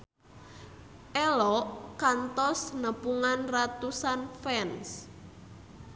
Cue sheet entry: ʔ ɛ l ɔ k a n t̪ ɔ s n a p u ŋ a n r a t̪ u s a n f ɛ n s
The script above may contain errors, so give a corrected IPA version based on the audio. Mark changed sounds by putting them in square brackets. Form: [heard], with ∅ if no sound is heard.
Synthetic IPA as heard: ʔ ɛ l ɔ k a n t̪ ɔ s n [ə] p u ŋ a n r a t̪ u s a n f ɛ n s